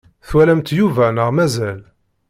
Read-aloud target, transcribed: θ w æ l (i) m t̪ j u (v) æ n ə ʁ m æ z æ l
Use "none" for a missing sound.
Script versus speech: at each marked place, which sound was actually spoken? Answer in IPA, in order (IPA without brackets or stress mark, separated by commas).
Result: æ, v